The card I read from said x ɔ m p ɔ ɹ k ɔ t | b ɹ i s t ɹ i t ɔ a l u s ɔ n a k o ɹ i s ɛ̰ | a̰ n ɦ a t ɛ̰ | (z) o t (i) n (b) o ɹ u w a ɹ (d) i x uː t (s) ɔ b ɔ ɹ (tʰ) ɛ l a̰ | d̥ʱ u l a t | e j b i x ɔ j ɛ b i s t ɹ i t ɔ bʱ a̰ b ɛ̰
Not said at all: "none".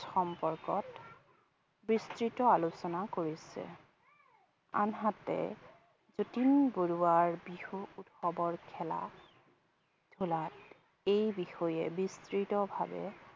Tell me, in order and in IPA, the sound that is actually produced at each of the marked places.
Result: z, i, b, b, x, kʰ

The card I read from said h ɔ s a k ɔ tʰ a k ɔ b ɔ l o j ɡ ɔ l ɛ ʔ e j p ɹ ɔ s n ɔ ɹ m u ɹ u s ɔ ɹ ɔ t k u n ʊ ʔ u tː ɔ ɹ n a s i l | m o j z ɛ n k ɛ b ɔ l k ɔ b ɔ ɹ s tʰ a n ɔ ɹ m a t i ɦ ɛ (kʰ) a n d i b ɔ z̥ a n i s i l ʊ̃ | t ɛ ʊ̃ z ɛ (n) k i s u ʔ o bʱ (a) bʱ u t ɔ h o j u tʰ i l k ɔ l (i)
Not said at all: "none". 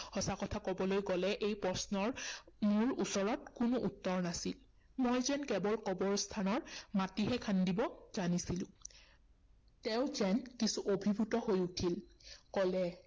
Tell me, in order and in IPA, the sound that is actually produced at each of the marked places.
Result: kʰ, n, i, ɛ

